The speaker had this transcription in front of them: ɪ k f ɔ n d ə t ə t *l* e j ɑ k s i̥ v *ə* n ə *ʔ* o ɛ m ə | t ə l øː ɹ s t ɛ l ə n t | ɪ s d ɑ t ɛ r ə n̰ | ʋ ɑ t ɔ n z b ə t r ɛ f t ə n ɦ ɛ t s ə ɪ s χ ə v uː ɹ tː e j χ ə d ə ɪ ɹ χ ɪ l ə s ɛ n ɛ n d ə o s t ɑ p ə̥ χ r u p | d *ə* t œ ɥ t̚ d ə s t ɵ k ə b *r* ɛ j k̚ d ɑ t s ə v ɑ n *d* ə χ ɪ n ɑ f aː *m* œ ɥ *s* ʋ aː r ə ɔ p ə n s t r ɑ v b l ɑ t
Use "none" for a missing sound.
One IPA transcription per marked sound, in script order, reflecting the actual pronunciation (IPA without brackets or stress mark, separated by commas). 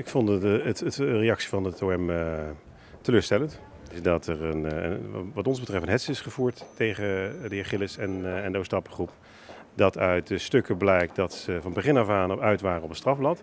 r, ɑ, t, ɑ, l, b, n, t